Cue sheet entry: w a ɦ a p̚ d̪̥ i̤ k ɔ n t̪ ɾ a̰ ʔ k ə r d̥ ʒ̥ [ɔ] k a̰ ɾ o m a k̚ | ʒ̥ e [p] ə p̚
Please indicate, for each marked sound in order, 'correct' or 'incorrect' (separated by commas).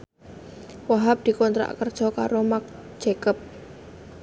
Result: correct, incorrect